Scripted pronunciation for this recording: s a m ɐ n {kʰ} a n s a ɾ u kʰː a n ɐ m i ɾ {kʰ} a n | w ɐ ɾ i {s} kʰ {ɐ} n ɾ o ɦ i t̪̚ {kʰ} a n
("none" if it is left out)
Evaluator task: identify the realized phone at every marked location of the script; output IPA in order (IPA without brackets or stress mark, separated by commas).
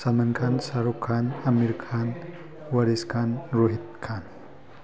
kʰ, kʰ, s, a, kʰ